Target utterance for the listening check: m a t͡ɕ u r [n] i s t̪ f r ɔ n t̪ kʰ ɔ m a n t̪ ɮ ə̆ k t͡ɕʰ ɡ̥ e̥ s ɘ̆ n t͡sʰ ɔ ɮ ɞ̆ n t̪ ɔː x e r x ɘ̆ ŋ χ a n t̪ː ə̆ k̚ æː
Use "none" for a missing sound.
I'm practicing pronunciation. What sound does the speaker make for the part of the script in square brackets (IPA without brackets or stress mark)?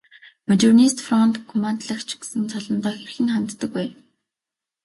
n